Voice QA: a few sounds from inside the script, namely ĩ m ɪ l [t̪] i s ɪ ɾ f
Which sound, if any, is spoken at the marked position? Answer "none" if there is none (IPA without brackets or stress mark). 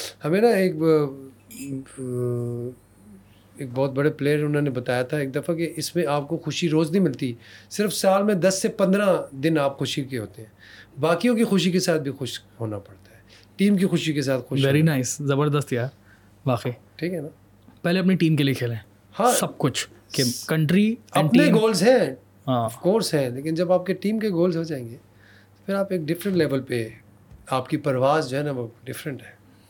t̪